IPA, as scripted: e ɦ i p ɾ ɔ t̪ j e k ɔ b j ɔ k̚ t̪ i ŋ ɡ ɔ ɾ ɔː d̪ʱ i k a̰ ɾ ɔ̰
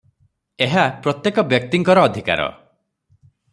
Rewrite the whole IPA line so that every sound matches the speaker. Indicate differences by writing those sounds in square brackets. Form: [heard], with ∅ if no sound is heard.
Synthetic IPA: e ɦ [a] p ɾ ɔ t̪ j e k ɔ b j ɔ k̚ t̪ i ŋ [k] ɔ ɾ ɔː d̪ʱ i k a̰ ɾ ɔ̰